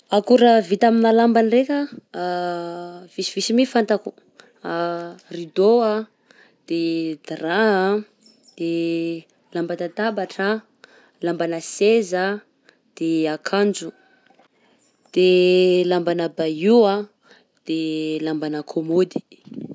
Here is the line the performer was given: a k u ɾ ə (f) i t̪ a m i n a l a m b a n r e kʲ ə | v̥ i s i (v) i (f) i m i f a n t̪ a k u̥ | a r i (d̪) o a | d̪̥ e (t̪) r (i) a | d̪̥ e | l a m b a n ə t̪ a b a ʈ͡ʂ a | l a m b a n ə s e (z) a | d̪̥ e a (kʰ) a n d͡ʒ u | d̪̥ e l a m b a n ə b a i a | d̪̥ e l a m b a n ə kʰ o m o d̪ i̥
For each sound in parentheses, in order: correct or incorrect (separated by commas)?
incorrect, correct, incorrect, correct, incorrect, incorrect, correct, correct